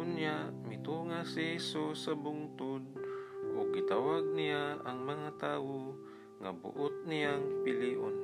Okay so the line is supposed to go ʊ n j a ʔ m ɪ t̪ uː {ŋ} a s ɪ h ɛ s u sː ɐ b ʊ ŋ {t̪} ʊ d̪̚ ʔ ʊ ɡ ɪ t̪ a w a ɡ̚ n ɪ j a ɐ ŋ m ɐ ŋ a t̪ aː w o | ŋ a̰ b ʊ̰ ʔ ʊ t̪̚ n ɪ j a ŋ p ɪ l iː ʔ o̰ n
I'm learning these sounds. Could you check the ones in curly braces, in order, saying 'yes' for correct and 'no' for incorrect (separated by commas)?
yes, yes